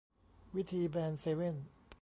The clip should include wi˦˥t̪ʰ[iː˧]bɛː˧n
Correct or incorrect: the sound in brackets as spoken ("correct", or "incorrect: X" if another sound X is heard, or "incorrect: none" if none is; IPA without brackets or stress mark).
correct